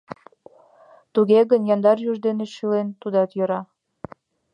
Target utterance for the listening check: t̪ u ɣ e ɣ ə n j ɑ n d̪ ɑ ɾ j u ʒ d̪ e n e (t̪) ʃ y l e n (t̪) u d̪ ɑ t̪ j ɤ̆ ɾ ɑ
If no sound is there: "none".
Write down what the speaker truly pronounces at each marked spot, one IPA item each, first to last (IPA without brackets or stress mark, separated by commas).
none, t̪